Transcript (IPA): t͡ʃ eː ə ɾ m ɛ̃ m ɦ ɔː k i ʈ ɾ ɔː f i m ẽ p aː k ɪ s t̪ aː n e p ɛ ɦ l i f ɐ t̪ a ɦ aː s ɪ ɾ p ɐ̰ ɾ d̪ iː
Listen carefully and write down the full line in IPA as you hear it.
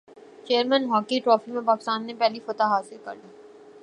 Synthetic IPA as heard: t͡ʃ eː ə ɾ m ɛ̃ n ɦ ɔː k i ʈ ɾ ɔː f i m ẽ p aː k ɪ s t̪ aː nː e p ɛ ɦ l i f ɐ t̪ a ɦ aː s ɪ ɾ k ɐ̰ ɾ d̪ iː